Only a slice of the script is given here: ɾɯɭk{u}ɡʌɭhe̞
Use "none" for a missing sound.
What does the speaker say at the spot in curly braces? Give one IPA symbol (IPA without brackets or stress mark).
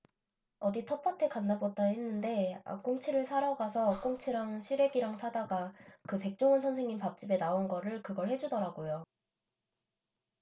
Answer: ɯ